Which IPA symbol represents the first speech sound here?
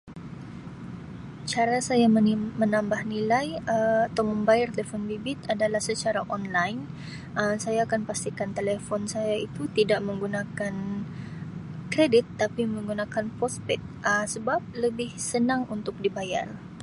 t͡ʃ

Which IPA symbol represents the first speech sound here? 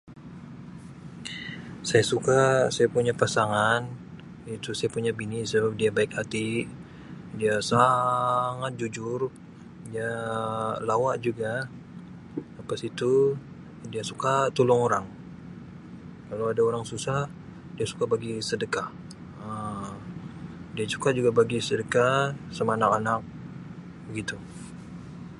s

